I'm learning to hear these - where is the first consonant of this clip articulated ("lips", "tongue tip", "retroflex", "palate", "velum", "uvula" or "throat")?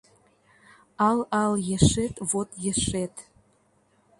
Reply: tongue tip